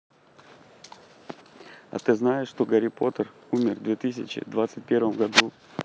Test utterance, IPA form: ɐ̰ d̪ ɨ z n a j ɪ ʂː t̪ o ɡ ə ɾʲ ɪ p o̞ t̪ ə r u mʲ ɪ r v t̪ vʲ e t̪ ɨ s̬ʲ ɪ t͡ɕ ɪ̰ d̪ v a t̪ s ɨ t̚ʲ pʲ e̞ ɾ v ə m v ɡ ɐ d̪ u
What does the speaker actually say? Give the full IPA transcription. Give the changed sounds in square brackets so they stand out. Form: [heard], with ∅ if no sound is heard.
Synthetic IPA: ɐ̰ [t̪] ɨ z n a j ɪ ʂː t̪ o ɡ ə ɾʲ ɪ p o̞ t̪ ə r u mʲ ɪ r v [d̪] vʲ e t̪ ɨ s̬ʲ ɪ t͡ɕ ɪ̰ d̪ v a t̪ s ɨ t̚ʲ pʲ e̞ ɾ v ə m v ɡ ɐ d̪ u

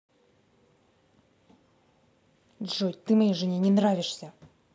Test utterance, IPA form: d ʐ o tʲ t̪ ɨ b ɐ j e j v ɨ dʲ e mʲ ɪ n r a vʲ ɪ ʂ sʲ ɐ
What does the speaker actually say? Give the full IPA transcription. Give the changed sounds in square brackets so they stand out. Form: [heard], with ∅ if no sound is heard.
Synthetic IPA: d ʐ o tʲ t̪ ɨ [m] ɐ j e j [ʐ] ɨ [nʲ] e [nʲ] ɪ n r a vʲ ɪ ʂ sʲ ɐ

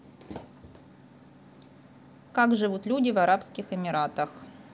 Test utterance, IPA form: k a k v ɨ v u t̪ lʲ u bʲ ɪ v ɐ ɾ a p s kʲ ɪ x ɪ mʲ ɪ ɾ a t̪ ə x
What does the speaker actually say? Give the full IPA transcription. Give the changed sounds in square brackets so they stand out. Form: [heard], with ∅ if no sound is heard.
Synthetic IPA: k a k [ʐ] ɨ v u t̪ lʲ u [dʲ] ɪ v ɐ ɾ a p s kʲ ɪ x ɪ mʲ ɪ ɾ a t̪ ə x

